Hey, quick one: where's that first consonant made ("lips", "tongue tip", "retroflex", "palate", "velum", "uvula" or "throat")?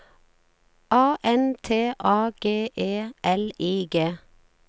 throat